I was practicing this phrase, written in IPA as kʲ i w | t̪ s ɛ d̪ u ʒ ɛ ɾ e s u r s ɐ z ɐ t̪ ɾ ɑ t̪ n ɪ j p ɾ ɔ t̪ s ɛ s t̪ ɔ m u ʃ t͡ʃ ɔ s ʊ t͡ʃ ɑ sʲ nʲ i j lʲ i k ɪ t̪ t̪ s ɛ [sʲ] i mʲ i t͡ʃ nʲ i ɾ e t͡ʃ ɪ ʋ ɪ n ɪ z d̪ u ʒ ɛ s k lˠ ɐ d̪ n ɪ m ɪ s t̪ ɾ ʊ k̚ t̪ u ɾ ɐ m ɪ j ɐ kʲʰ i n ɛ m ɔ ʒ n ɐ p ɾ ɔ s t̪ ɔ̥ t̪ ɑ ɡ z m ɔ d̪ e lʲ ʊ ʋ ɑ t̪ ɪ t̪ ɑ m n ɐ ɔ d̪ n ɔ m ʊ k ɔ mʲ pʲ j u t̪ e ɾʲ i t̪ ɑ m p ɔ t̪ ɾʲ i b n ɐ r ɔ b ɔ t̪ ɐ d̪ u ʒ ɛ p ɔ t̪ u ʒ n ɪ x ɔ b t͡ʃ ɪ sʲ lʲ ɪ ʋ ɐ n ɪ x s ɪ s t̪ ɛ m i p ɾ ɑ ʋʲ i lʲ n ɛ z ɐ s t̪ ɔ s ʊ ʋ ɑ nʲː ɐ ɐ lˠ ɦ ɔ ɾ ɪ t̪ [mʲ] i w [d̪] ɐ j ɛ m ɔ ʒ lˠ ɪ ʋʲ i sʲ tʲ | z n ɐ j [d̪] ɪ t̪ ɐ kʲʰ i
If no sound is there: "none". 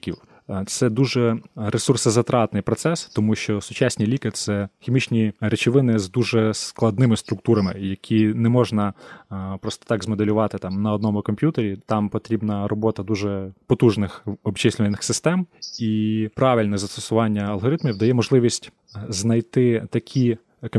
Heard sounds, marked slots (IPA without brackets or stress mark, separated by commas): xʲ, mʲ, d̪, t̪